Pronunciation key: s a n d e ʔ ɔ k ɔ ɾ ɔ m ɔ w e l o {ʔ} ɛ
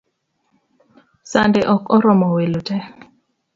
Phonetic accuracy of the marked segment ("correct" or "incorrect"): incorrect